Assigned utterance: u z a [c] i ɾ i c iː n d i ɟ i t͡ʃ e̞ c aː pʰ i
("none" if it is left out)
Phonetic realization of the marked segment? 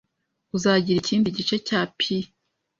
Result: ɟ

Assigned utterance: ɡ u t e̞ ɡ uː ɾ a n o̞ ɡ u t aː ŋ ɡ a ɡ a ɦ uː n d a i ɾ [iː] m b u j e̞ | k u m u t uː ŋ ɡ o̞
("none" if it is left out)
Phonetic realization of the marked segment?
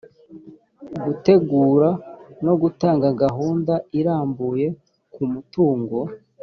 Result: aː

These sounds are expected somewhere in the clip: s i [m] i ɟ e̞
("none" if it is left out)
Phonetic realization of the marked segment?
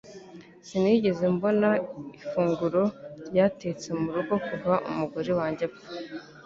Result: n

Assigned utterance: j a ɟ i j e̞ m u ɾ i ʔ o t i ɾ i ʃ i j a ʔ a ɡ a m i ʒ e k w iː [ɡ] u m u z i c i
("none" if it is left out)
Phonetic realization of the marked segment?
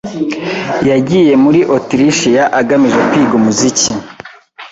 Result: ɡ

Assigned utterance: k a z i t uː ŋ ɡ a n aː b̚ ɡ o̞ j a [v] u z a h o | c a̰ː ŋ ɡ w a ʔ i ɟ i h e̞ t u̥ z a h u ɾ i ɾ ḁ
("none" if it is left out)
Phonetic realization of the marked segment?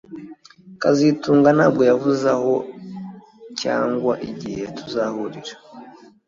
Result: v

